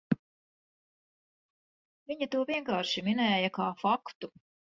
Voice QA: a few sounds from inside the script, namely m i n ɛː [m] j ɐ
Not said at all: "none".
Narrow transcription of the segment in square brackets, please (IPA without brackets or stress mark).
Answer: none